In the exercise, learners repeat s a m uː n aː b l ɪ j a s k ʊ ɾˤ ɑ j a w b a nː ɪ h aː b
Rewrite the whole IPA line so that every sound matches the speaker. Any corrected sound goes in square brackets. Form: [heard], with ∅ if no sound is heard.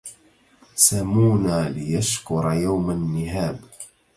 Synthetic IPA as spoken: s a m uː n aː [∅] l ɪ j a [ʃ] k ʊ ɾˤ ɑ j a w [m] a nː ɪ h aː b